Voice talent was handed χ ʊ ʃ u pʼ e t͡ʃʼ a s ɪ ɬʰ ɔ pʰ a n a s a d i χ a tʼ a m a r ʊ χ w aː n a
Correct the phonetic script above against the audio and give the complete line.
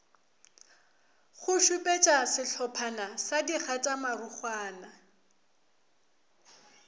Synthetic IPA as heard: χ ʊ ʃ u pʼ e t͡ʃʼ a s ɪ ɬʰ ɔ pʰ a n a s a d i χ a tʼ a m a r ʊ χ w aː n a